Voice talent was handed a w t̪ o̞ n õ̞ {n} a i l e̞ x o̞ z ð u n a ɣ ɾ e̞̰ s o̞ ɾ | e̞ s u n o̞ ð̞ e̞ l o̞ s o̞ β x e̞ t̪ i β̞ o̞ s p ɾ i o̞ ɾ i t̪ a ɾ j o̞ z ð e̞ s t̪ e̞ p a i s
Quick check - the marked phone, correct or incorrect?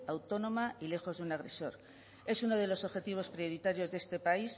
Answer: incorrect